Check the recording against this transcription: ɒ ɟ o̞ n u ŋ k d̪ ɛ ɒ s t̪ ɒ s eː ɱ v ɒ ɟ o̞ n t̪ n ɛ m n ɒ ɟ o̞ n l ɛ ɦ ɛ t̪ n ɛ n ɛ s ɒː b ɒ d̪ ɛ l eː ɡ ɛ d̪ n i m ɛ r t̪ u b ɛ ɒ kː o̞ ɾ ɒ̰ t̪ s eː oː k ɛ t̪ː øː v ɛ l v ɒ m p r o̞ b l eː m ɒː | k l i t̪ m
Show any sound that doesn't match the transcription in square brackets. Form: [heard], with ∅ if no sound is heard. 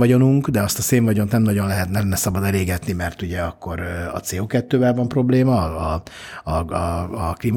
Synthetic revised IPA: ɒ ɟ o̞ n u ŋ k d̪ ɛ ɒ s t̪ ɒ s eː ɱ v ɒ ɟ o̞ n t̪ n ɛ m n ɒ ɟ o̞ n l ɛ ɦ ɛ t̪ n ɛ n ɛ s [ɒ] b ɒ d̪ ɛ l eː ɡ ɛ [t̪] n i m ɛ r t̪ u [ɟ] ɛ ɒ kː o̞ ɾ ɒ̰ t̪ s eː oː k ɛ t̪ː øː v ɛ l v ɒ m p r o̞ b l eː m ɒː | k l i [∅] m